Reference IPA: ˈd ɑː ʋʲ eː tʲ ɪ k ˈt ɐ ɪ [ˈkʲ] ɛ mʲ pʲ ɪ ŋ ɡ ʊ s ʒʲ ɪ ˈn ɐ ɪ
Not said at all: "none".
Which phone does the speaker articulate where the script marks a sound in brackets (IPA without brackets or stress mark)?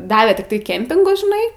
kʲ